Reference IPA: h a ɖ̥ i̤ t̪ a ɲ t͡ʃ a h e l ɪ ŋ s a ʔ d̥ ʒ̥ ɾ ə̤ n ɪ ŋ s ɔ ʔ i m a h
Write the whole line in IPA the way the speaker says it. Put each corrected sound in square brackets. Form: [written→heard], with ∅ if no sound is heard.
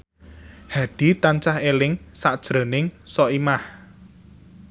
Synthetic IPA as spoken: h a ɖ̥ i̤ t̪ a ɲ t͡ʃ a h e l ɪ ŋ s a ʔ d̥ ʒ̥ ɾ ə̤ n ɪ ŋ s ɔ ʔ i m a h